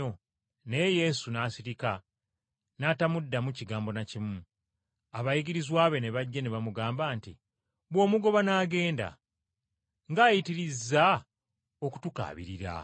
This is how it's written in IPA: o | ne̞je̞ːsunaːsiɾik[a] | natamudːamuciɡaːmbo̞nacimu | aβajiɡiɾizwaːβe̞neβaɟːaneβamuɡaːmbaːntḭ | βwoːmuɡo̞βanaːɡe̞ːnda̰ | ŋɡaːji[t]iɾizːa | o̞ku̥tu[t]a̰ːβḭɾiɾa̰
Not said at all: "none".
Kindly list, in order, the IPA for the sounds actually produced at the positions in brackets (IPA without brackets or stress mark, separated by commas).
a, t, k